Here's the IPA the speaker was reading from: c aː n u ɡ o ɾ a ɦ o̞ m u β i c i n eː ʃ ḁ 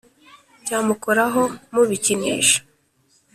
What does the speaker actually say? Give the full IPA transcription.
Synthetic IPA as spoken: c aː m u k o ɾ a ɦ o̞ m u β i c i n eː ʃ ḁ